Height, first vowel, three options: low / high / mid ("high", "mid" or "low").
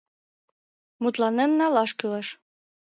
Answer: high